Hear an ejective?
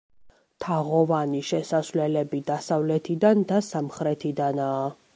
no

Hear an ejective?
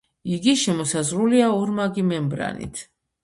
no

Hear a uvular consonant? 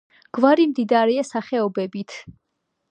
yes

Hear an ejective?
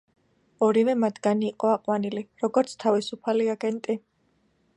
yes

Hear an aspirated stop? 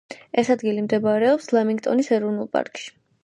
no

